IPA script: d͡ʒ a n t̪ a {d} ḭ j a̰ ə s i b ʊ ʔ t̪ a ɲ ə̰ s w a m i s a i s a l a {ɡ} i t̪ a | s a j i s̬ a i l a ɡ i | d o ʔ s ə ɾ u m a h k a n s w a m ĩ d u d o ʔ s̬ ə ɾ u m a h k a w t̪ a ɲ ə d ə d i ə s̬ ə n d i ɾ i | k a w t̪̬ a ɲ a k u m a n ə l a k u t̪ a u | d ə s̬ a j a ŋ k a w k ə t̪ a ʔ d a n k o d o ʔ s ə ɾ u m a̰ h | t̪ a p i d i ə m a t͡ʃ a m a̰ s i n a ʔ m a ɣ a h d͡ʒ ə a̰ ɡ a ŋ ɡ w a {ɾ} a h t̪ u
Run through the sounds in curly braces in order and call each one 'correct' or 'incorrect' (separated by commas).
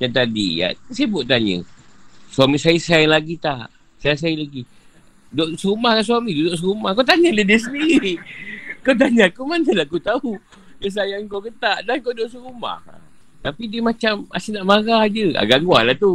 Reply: correct, correct, incorrect